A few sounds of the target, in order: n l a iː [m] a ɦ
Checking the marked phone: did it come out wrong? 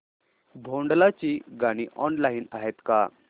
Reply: yes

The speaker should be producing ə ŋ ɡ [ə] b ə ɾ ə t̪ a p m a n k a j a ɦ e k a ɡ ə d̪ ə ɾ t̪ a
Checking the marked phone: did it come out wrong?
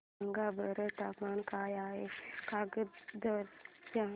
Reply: yes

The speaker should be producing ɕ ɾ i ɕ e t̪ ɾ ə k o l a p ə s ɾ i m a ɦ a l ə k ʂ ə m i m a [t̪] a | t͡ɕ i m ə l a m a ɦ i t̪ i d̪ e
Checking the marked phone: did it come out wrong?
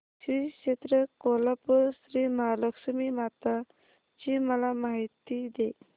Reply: no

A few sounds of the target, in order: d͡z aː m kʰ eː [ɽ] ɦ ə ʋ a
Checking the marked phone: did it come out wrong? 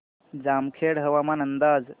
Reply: no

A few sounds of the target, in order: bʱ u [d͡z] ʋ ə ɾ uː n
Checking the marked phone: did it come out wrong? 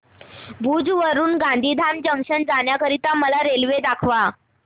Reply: no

